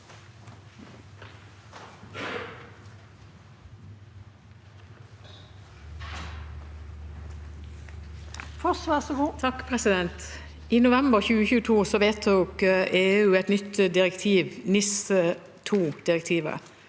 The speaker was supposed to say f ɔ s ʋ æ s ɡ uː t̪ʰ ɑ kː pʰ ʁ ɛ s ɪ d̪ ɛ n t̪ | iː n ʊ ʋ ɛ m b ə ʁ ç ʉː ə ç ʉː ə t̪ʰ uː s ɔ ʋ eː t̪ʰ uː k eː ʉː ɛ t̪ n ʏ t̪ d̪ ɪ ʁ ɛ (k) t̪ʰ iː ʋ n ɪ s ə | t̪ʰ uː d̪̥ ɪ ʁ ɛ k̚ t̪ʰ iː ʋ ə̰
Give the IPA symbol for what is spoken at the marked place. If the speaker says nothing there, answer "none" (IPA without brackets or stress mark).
k